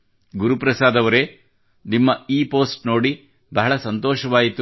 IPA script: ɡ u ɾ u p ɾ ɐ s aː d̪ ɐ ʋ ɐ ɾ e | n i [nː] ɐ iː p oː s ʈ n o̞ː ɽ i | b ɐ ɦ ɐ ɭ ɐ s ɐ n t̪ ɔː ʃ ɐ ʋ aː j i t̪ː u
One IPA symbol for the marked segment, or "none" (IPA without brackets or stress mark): mː